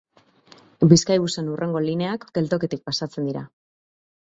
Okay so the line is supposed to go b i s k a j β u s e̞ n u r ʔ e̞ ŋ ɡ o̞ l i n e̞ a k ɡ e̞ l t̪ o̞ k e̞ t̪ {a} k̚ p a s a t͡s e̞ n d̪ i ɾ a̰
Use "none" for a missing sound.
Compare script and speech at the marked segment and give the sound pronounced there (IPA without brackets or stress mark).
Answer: i